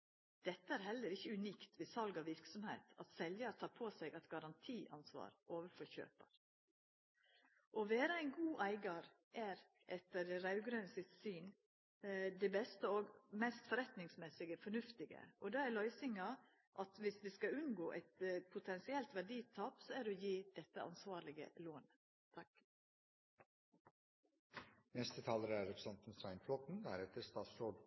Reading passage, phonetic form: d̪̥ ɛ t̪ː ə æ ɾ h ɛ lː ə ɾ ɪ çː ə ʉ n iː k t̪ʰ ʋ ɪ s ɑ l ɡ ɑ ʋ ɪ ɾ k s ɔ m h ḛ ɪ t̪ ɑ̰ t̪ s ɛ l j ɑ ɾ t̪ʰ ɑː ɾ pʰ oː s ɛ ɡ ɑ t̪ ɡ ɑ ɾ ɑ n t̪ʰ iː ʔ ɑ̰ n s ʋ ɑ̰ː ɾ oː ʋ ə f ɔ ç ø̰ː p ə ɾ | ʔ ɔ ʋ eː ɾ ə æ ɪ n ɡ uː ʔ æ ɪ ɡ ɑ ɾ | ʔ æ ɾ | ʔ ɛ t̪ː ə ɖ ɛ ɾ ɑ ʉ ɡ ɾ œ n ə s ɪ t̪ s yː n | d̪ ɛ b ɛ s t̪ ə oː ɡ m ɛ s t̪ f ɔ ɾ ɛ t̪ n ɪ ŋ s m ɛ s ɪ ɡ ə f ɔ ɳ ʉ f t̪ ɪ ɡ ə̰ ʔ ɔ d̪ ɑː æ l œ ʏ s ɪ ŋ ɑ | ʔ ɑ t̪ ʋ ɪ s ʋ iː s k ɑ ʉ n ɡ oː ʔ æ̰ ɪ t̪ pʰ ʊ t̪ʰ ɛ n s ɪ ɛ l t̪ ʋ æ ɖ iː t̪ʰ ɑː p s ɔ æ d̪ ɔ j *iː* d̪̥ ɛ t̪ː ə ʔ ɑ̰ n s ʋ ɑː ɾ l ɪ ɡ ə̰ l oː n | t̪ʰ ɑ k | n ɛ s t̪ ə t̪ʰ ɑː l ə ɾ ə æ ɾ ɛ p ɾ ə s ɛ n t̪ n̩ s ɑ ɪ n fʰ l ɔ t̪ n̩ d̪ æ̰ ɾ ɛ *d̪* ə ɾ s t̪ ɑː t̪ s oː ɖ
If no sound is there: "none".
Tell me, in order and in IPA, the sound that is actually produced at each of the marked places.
iː, t̪

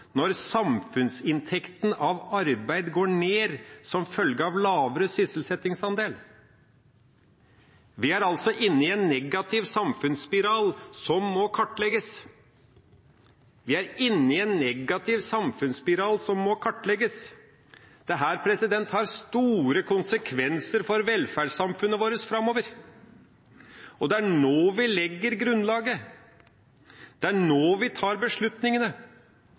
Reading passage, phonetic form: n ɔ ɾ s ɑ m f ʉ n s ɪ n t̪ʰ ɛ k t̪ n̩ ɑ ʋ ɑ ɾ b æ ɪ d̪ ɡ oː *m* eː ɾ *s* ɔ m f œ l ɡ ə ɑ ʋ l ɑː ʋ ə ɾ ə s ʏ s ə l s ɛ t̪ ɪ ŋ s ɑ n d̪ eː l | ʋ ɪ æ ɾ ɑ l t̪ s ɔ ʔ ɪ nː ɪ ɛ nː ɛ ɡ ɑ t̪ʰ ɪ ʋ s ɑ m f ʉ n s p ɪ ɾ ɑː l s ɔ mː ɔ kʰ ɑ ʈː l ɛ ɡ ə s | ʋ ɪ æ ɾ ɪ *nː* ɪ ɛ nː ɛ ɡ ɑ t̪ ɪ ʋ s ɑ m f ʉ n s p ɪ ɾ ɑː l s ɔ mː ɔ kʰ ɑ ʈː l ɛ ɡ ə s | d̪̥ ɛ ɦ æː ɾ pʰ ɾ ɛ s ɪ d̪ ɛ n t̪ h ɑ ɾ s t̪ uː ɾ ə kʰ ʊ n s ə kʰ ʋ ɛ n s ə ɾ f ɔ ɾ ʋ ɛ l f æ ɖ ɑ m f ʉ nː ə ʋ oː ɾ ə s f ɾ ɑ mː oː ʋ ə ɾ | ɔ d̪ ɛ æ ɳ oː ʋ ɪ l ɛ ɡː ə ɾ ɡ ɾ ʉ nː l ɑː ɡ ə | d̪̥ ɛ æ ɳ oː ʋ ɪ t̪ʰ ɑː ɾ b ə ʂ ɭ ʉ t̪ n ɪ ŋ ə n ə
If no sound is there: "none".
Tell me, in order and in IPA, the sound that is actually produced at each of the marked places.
ɳ, s, nː

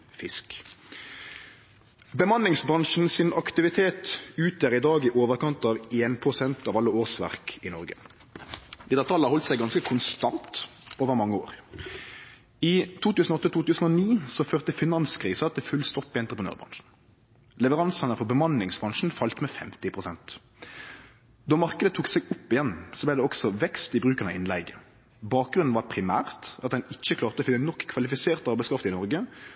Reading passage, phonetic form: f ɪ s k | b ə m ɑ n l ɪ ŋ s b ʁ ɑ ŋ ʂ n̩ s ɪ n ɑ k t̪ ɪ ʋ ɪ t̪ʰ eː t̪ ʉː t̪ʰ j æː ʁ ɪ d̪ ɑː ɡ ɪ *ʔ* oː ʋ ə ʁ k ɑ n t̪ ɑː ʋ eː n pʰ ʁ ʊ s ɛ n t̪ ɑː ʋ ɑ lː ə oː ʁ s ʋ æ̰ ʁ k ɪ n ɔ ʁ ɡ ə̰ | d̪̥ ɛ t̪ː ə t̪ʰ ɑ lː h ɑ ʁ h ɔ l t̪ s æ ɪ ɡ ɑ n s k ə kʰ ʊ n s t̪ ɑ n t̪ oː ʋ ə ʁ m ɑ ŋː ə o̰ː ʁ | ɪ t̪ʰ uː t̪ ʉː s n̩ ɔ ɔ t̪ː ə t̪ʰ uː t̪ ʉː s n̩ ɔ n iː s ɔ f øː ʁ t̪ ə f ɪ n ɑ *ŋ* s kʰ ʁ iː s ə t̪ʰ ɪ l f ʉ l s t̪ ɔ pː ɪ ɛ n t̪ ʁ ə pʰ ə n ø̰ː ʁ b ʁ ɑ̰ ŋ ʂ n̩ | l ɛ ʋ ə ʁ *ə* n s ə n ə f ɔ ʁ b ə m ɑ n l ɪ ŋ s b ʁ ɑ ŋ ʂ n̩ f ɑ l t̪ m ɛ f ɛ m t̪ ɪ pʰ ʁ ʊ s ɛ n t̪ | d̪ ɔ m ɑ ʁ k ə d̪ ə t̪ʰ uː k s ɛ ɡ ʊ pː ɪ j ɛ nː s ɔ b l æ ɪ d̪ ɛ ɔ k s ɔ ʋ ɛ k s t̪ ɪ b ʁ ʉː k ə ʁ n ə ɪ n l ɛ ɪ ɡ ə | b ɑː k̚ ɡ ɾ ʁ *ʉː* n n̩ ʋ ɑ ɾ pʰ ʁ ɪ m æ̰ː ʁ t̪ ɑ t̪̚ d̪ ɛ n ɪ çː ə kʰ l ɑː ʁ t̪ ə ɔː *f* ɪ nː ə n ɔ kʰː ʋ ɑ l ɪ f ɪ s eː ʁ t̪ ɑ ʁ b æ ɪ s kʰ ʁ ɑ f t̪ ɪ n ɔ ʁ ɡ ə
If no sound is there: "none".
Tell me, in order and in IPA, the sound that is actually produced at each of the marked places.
ʔ, n, ɑ, ʉ, f

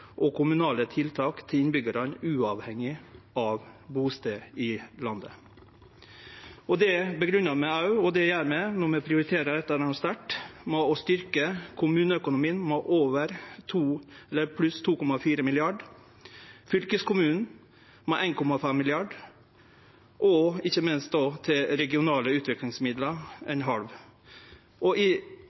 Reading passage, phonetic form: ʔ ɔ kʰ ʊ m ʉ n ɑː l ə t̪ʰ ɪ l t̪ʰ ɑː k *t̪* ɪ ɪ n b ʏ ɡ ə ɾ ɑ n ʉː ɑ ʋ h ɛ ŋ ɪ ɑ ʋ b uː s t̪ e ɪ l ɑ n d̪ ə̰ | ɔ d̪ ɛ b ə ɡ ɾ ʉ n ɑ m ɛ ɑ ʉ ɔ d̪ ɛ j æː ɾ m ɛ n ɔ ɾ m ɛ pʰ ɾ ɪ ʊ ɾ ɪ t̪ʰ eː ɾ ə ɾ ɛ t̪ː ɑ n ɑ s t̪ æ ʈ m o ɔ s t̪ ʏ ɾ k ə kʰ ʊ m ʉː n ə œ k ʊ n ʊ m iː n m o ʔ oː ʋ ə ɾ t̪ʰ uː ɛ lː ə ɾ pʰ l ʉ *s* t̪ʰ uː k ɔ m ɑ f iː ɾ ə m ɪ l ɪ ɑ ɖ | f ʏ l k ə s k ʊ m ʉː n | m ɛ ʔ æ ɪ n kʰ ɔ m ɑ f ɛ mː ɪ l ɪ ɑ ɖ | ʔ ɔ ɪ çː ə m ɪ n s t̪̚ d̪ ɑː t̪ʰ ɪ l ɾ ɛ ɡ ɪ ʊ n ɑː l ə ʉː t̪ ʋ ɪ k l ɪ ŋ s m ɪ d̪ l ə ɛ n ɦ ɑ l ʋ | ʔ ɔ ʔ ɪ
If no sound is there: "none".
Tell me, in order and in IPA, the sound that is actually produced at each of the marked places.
t̪ʰ, s

